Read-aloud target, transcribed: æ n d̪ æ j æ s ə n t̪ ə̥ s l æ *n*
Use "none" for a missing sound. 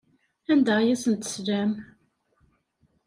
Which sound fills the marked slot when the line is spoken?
m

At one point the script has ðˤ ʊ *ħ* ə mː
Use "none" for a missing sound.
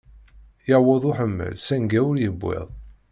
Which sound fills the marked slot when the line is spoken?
ħ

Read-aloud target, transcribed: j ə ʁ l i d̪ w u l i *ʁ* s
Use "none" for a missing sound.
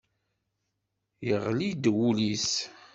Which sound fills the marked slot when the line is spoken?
none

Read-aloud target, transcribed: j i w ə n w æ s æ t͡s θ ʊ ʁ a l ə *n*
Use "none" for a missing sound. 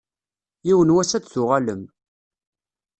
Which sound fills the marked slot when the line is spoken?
m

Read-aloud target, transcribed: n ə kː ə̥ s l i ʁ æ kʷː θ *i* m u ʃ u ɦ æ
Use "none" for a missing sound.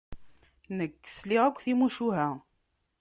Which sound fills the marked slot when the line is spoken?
i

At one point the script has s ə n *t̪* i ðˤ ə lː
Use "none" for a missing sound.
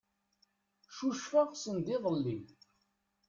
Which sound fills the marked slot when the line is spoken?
d̪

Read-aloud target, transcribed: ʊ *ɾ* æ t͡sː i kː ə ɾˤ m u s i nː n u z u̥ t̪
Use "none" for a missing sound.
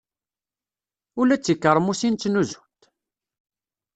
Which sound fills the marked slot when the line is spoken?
l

